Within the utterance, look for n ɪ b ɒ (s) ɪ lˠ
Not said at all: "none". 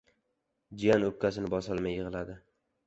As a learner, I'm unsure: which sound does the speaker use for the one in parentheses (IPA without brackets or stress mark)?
s